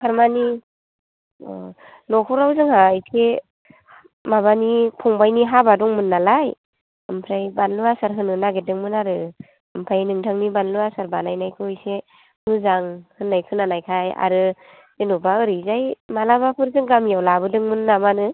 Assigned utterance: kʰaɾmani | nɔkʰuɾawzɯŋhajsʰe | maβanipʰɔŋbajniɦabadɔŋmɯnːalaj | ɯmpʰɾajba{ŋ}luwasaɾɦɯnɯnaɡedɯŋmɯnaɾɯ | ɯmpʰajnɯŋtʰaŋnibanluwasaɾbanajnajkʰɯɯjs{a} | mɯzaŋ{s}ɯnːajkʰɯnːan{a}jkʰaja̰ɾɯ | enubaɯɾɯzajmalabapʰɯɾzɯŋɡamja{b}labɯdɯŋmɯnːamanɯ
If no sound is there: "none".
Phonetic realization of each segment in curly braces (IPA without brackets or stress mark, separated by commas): n, e, h, a, w